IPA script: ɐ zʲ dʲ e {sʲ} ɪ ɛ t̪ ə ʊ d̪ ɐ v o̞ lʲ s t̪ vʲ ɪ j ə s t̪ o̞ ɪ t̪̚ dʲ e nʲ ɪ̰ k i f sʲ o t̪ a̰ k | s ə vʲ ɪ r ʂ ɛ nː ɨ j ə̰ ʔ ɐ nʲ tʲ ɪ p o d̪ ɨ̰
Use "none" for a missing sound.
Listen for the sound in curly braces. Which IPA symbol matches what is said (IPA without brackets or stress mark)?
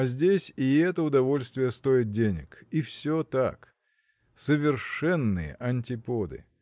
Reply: sʲ